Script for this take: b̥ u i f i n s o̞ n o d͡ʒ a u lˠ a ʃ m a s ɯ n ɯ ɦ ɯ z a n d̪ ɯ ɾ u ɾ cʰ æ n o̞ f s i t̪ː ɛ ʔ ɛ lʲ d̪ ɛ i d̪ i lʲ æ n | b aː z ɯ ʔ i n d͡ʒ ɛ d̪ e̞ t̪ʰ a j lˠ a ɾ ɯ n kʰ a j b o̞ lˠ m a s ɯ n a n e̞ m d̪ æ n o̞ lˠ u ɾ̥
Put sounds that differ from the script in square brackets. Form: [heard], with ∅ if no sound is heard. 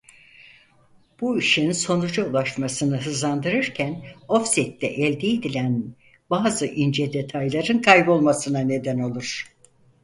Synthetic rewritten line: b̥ u i [ʃ] i n s o̞ n [u] d͡ʒ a u lˠ a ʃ m a s ɯ n ɯ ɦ ɯ z a n d̪ ɯ ɾ [ɯ] ɾ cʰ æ n o̞ f s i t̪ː ɛ ʔ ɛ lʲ d̪ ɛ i d̪ i lʲ æ n | b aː z ɯ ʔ i n d͡ʒ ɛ d̪ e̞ t̪ʰ a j lˠ a ɾ ɯ n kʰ a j b o̞ lˠ m a s ɯ n a n e̞ [∅] d̪ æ n o̞ lˠ u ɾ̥